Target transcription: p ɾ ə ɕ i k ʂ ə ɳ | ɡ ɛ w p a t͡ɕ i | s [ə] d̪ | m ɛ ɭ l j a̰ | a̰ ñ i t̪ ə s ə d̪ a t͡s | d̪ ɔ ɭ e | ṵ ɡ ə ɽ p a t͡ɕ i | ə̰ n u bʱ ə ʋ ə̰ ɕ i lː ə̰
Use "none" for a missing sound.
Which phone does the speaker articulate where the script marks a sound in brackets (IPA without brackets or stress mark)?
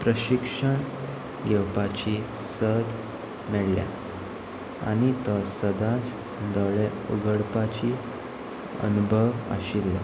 ə